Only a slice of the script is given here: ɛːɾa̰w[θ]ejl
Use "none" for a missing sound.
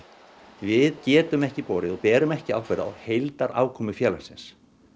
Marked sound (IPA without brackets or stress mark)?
h